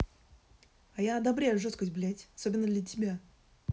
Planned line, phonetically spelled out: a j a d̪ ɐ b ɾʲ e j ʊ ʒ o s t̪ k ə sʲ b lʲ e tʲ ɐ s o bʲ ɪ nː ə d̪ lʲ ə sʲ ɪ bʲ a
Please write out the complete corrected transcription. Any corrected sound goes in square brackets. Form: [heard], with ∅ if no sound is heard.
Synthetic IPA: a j a d̪ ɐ b ɾʲ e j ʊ [ʐ] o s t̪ k ə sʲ b lʲ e tʲ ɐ s o bʲ ɪ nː ə d̪ lʲ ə [tʲ] ɪ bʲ a